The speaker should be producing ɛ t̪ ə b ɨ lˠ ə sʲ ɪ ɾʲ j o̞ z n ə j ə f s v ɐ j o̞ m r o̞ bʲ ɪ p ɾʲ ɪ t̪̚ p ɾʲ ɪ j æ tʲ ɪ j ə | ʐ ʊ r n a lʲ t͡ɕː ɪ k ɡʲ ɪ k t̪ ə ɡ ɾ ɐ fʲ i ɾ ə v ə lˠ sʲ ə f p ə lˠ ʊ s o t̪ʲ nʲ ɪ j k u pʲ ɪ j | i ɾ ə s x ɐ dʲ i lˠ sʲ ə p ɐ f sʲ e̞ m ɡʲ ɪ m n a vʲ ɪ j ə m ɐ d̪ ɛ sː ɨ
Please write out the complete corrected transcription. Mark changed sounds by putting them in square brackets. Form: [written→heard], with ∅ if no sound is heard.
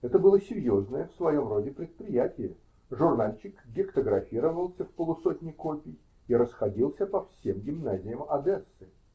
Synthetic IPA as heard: ɛ t̪ ə b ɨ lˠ ə sʲ ɪ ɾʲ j o̞ z n ə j ə f s v ɐ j o̞ m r o̞ [bʲ→dʲ] ɪ p ɾʲ ɪ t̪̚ p ɾʲ ɪ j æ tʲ ɪ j ə | ʐ ʊ r n a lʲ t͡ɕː ɪ k ɡʲ ɪ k t̪ ə ɡ ɾ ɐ fʲ i ɾ ə v ə lˠ sʲ ə f p ə lˠ ʊ s o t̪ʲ nʲ ɪ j k [u→o] pʲ ɪ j | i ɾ ə s x ɐ dʲ i lˠ sʲ ə p ɐ f sʲ e̞ m ɡʲ ɪ m n a [vʲ→zʲ] ɪ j ə m ɐ d̪ ɛ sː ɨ